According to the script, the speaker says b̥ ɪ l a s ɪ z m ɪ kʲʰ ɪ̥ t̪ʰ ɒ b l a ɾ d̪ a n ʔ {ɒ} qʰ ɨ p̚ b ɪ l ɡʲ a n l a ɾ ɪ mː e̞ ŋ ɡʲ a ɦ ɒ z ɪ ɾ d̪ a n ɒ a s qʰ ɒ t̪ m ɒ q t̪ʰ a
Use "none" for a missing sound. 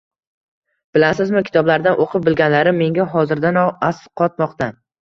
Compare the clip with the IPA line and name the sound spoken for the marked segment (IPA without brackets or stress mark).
o